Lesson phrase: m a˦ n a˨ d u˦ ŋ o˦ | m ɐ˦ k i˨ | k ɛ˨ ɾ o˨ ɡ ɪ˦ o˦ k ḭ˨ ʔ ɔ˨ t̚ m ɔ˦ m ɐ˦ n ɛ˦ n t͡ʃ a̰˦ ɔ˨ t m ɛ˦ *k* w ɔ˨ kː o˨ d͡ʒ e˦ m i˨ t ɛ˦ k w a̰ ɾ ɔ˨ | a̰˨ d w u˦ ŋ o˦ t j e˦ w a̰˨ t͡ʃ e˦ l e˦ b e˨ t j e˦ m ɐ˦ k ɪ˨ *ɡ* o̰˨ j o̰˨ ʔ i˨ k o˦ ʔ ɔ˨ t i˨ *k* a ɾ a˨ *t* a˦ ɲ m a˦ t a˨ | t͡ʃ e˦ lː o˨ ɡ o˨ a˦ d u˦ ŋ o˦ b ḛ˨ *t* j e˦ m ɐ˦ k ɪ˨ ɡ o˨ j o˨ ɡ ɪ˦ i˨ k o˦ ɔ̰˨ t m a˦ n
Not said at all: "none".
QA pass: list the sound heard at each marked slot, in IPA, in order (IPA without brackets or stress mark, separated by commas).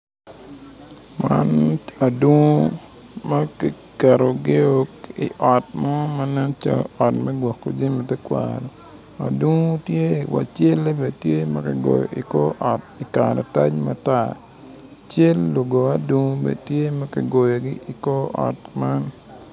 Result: ɡ, ɡ, k, t, t